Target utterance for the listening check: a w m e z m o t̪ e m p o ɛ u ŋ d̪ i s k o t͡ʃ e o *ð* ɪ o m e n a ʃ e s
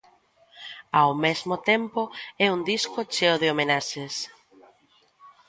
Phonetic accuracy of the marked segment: correct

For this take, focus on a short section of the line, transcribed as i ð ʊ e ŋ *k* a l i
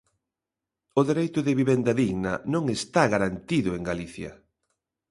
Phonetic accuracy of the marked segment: incorrect: ɡ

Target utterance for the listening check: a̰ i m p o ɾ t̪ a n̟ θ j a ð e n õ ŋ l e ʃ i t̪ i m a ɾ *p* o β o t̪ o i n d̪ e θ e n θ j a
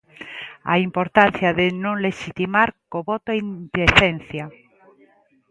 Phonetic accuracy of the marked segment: incorrect: k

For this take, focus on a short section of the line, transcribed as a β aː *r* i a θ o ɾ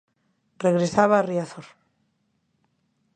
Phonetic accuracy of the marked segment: correct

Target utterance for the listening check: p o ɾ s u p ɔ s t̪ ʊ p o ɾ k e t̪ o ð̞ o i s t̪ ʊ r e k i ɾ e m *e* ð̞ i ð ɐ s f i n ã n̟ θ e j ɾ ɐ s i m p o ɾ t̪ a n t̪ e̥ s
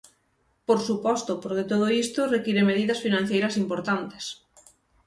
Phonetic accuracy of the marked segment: correct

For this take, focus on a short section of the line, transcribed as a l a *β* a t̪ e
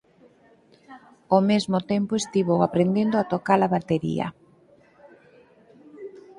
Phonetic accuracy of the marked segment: correct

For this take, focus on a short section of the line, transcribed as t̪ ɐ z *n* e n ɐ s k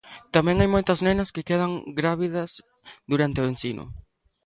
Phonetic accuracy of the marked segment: correct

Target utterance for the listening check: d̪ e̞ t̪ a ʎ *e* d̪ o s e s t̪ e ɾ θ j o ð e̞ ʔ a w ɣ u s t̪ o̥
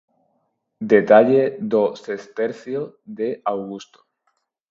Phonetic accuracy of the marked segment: correct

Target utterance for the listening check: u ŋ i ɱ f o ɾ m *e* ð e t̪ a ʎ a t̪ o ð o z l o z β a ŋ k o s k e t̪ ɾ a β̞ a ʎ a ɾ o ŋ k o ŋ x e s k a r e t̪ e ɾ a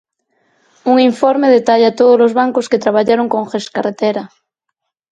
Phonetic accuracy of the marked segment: correct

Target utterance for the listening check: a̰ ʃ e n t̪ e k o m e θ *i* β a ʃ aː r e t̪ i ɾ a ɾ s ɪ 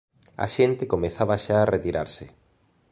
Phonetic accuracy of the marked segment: incorrect: a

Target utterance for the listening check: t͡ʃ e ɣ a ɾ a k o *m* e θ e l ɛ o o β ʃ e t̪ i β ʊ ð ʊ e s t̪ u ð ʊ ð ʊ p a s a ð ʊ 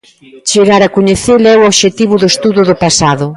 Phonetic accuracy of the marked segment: incorrect: ɲ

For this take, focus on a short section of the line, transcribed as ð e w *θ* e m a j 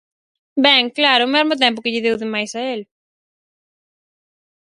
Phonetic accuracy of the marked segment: incorrect: ð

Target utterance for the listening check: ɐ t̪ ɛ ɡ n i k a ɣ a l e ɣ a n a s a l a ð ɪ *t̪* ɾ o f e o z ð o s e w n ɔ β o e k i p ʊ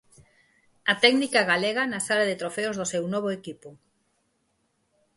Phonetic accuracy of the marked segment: correct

